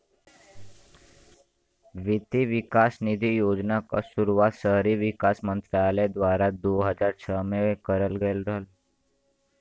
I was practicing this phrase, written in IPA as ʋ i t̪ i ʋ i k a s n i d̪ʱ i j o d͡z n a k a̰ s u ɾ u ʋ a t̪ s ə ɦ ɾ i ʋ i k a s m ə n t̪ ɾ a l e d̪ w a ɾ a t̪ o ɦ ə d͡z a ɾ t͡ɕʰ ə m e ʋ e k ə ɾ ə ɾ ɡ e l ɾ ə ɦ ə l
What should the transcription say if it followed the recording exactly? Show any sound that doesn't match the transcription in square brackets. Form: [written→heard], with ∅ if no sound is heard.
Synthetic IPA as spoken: ʋ i t̪ i ʋ i k a s n i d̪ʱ i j o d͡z n a k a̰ s u ɾ u ʋ a t̪ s ə ɦ ɾ i ʋ i k a s m ə n t̪ ɾ a l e d̪ [w→ʋ] a ɾ a [t̪→d̪] o ɦ ə d͡z a ɾ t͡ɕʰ ə m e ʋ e k ə ɾ ə [ɾ→l] ɡ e l ɾ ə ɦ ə l